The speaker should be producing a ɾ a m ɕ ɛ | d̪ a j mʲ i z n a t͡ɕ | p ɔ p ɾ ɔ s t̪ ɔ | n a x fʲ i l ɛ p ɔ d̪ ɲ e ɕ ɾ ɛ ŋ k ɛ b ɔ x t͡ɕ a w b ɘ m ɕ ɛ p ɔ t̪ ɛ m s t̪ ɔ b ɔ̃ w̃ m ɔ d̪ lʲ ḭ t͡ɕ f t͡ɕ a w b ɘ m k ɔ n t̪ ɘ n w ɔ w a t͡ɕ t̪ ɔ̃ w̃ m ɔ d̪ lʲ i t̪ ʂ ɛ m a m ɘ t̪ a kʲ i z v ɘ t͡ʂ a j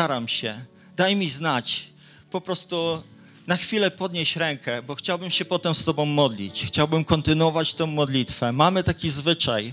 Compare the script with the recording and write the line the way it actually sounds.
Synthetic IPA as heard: a ɾ a m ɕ ɛ | d̪ a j mʲ i z n a t͡ɕ | p ɔ p ɾ ɔ s t̪ u | n a x fʲ i l ɛ p ɔ d̪ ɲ e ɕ ɾ ɛ ŋ k ɛ b ɔ x t͡ɕ a w b ɘ m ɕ ɛ p ɔ t̪ ɛ m s t̪ ɔ b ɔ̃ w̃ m ɔ d̪ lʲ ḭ t͡ɕ x t͡ɕ a w b ɘ m k ɔ n t̪ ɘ n w ɔ v a t͡ɕ t̪ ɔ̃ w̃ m ɔ d̪ lʲ i t̪ f ɛ m a m ɘ t̪ a kʲ i z v ɘ t͡ʂ a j